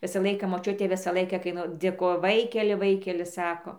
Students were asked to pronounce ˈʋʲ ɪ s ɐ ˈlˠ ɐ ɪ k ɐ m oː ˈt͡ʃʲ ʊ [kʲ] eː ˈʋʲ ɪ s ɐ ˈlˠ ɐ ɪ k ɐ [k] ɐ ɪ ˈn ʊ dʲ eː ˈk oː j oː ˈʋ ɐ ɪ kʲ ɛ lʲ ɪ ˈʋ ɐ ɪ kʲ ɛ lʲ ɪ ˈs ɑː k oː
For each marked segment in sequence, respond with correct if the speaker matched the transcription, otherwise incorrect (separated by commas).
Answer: incorrect, correct